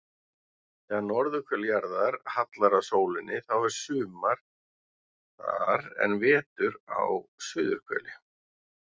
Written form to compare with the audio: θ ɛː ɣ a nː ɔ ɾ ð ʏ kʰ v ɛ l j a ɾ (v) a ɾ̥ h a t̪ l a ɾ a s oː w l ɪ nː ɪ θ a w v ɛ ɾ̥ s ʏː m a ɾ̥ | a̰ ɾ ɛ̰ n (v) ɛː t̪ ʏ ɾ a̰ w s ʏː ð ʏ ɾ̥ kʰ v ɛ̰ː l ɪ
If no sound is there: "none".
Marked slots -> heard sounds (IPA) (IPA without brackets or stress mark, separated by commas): ð, v